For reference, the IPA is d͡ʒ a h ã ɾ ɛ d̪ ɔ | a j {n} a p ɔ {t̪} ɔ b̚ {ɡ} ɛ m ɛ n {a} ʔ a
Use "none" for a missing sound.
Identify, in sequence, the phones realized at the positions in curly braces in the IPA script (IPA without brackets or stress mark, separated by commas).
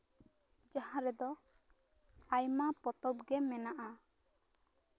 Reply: m, t̪, ɡ, a